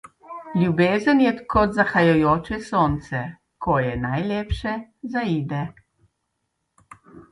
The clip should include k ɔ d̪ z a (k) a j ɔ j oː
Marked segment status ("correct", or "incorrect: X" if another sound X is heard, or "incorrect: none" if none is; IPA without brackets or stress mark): incorrect: x